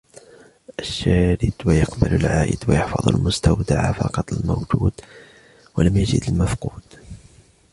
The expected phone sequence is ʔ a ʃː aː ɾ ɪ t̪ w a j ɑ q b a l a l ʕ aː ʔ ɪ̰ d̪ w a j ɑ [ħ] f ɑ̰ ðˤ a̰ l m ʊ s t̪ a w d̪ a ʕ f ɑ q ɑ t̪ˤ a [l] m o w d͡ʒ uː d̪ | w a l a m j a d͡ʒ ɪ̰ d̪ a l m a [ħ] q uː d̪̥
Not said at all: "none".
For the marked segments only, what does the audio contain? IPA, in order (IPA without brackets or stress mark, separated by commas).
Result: ħ, l, f